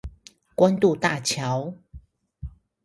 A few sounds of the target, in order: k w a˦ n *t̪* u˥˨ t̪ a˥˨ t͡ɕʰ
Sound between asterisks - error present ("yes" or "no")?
no